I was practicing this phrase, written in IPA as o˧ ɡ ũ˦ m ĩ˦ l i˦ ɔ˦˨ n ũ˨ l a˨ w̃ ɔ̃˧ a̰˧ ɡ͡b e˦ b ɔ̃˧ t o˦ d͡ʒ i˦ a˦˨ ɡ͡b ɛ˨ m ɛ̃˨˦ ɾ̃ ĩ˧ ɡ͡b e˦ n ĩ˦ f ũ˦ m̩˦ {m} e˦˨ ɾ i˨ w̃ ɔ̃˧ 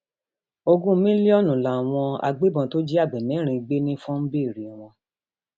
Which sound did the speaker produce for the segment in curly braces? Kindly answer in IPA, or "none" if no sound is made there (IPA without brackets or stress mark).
b